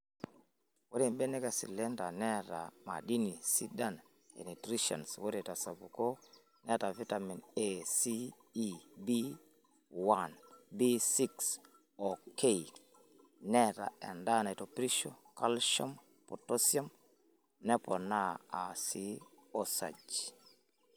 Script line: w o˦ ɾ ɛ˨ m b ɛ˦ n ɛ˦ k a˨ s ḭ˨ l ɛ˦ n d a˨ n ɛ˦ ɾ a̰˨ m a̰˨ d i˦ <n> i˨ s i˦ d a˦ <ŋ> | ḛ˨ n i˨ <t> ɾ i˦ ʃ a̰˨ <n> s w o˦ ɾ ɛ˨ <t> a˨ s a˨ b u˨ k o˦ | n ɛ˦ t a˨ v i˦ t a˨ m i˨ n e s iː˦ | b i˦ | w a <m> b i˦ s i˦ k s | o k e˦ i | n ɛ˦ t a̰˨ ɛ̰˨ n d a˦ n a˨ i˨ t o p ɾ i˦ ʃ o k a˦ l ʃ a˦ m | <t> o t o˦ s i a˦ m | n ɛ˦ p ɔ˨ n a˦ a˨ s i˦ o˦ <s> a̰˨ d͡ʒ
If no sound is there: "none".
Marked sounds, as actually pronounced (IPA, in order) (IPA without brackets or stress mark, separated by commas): n, n, t, n, t, n, p, s